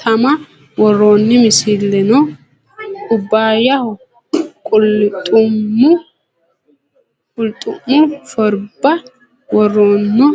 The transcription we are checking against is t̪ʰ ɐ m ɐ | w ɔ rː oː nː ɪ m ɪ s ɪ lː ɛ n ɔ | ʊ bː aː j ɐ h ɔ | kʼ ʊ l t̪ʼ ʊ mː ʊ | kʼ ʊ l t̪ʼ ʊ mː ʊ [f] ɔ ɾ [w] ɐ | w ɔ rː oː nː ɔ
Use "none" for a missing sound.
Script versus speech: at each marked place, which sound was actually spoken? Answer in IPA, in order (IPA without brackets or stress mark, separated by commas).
f, b